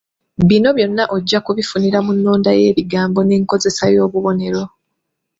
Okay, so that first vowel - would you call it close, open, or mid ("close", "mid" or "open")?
close